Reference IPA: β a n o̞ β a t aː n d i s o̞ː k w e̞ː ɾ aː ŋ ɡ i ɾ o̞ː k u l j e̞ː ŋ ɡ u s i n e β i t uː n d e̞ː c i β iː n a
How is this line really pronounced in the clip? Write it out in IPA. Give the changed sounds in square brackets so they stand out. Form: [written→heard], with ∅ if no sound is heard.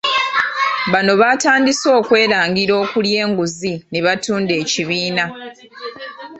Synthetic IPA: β a n o̞ β a t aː n d i s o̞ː k w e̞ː ɾ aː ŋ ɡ i ɾ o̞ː k u l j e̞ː ŋ ɡ u [s→z] i n e β [i→a] t uː n d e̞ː c i β iː n a